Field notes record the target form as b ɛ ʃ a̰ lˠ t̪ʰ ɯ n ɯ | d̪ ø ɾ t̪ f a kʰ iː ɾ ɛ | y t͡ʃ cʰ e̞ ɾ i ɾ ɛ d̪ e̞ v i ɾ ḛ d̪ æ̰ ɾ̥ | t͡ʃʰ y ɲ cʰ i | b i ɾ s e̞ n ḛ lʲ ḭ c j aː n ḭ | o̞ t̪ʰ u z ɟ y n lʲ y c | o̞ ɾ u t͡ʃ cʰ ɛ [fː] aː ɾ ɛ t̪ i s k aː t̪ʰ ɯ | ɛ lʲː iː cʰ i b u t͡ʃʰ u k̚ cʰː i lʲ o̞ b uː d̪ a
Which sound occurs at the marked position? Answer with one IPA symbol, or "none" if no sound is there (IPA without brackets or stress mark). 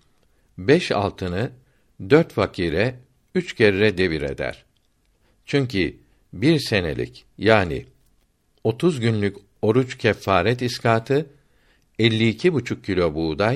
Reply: fː